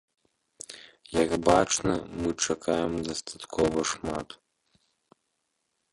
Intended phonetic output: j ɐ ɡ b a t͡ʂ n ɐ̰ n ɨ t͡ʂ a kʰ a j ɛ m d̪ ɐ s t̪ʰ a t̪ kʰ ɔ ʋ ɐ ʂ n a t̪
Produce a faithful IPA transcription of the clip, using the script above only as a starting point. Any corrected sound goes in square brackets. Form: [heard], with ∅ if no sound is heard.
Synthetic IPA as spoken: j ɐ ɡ b a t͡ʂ n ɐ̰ [m] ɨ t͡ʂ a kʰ a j ɛ m d̪ ɐ s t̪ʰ a t̪ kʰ ɔ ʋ ɐ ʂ [m] a t̪